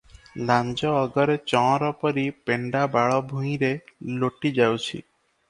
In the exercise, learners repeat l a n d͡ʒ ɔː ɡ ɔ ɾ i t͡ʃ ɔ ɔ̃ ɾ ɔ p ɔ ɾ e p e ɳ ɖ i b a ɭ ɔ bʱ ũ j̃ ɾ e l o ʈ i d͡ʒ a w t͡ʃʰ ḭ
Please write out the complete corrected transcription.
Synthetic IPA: l a n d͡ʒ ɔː ɡ ɔ ɾ e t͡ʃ ɔ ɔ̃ ɾ ɔ p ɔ ɾ i p e ɳ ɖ a b a ɭ ɔ bʱ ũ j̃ ɾ e l o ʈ i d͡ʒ a w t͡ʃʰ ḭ